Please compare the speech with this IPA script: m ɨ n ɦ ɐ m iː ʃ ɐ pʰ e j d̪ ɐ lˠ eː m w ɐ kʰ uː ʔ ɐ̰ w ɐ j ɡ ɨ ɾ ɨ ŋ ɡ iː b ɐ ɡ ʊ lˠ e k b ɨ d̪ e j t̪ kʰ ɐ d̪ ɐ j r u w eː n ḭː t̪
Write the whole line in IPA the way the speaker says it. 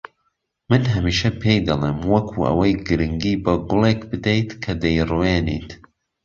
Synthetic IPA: m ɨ n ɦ ɐ m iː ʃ ɐ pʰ e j d̪ ɐ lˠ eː m w ɐ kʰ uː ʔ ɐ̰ w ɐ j ɡ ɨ ɾ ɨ ŋ ɡ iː b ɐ ɡ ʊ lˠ e k b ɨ d̪ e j t̪ kʰ ɐ d̪ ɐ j r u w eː n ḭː t̪

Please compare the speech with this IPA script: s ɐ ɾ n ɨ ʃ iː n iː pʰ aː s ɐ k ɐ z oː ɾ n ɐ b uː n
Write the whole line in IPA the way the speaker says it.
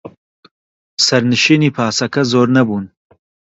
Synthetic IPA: s ɐ ɾ n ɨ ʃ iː n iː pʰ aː s ɐ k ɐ z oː ɾ n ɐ b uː n

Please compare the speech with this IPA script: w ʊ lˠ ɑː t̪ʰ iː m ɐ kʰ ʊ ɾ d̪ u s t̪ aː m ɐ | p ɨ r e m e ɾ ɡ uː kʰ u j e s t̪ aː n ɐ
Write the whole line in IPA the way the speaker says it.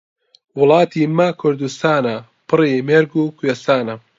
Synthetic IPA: w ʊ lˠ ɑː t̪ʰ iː m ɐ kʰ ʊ ɾ d̪ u s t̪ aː n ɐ | p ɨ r i m e ɾ ɡ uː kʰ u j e s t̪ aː n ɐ

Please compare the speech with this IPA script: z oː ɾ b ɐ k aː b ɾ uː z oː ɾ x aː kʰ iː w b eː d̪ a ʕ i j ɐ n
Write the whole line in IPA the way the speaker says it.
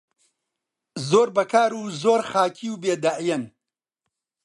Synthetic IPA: z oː ɾ b ɐ k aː ɾ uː z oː ɾ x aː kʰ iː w b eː d̪ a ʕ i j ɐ n

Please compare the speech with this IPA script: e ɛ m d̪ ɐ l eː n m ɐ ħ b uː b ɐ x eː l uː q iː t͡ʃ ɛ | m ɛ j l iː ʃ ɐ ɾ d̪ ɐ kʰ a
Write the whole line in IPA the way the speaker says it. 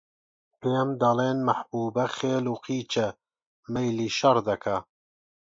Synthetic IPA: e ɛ m d̪ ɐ l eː n m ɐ ħ b uː b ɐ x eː l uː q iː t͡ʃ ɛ | m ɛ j l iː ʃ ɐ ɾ d̪ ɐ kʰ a

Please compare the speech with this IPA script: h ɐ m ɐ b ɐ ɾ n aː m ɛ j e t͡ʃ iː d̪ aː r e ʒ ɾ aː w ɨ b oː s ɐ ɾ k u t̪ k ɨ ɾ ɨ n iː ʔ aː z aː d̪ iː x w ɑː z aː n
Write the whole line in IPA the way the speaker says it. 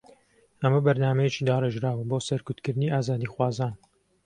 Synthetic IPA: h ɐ m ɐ b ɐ ɾ n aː m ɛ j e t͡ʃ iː d̪ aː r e ʒ ɾ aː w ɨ b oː s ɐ ɾ k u t̪ k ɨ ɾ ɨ n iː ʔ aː z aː d̪ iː x w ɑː z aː n

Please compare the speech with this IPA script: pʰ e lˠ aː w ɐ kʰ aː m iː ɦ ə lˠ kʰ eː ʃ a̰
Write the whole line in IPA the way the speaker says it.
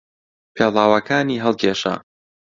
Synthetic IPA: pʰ e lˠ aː w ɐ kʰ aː n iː ɦ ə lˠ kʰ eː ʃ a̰

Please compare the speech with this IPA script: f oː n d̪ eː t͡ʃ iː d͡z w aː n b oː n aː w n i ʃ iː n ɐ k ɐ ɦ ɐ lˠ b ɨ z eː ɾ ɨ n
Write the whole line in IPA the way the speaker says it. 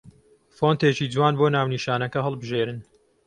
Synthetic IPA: f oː n t̪ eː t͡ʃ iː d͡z w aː n b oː n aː w n i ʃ aː n ɐ k ɐ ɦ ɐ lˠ b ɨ ʒ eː ɾ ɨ n

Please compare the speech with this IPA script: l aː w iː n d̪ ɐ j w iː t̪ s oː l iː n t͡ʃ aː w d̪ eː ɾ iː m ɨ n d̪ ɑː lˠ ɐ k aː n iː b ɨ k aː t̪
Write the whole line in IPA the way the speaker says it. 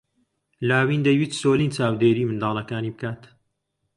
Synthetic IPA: l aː w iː n d̪ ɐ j w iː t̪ s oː l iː n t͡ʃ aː w d̪ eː ɾ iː m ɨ n d̪ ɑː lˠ ɐ k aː n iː b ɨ k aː t̪

